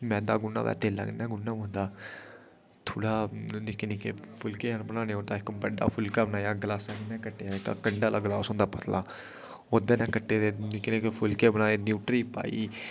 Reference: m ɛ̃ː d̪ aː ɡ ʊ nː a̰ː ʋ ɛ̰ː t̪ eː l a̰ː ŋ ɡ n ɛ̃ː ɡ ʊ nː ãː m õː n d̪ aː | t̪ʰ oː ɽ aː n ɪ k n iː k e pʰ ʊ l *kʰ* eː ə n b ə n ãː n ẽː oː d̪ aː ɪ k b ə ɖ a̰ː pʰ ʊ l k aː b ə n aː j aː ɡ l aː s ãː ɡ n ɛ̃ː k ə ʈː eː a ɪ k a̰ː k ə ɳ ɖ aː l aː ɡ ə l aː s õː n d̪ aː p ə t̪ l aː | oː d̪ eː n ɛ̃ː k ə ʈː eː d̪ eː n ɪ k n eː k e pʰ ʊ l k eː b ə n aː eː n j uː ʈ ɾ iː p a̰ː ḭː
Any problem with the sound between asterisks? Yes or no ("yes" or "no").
yes